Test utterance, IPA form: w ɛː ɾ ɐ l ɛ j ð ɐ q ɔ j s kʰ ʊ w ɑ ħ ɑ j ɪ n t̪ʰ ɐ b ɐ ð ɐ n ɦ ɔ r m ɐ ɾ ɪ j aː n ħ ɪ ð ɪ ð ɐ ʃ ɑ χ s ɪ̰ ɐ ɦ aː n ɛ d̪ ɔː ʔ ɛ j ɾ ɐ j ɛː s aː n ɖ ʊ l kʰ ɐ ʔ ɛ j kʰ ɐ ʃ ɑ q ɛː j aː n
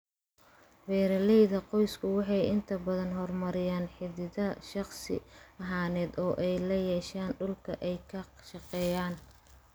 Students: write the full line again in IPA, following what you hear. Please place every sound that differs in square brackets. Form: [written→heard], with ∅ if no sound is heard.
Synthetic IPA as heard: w ɛː ɾ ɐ l ɛ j ð ɐ q ɔ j s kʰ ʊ w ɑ ħ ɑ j ɪ n t̪ʰ ɐ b ɐ ð ɐ n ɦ ɔ r m ɐ ɾ ɪ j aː n ħ ɪ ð ɪ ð ɐ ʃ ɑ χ s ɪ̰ ɐ ɦ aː n [ɛ→ɛː] d̪ ɔː ʔ ɛ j [ɾ→l] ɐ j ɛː [s→ʃ] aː n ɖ ʊ l kʰ ɐ ʔ ɛ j kʰ ɐ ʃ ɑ q ɛː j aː n